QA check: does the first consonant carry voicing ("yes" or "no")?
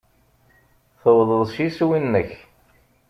no